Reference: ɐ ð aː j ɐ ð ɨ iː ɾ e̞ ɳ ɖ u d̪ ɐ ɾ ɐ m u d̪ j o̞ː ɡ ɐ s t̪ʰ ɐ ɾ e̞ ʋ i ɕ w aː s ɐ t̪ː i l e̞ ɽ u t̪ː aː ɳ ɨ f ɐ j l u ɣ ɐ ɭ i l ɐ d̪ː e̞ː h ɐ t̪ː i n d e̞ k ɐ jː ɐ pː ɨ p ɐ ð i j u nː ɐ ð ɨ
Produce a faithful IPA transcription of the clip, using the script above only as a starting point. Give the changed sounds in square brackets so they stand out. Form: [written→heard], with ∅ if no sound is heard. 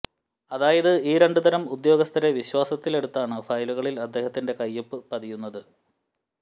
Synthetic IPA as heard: ɐ ð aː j ɐ ð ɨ iː ɾ e̞ ɳ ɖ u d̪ ɐ ɾ ɐ m u d̪ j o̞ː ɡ ɐ s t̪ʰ ɐ ɾ e̞ ʋ i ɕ w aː s ɐ t̪ː i l e̞ ɽ u t̪ː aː ɳ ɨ f ɐ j l u ɣ ɐ ɭ i l ɐ d̪ː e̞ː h ɐ t̪ː i n d e̞ k ɐ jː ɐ pː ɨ p ɐ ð i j u nː ɐ ð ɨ